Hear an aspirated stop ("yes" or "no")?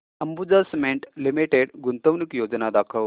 yes